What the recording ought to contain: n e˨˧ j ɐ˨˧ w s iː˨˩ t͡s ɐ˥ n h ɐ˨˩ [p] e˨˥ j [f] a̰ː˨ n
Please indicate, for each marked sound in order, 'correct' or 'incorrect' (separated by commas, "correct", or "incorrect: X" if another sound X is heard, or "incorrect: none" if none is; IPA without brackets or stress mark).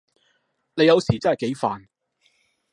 incorrect: k, correct